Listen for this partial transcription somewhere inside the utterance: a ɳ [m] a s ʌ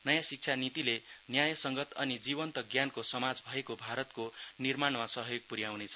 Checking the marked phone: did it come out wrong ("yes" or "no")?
no